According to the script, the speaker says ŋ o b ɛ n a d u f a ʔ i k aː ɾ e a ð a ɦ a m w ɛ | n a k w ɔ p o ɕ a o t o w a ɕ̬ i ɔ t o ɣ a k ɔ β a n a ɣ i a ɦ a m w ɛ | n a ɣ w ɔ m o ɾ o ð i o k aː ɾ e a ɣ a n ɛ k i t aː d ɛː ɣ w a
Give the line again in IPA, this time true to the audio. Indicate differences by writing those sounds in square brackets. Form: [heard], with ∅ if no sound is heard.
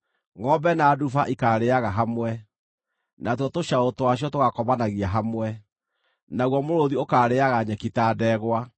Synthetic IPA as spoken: ŋ [ɔ] b ɛ n a d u f a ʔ i k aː ɾ e a [ɣ] a ɦ a m w ɛ | n a [t] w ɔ [t] o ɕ a o t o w a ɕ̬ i ɔ t o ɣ a k ɔ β a n a ɣ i a ɦ a m w ɛ | n a ɣ w ɔ m o ɾ o ð i o k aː ɾ e a ɣ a [ɲ] ɛ k i t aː d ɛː ɣ w a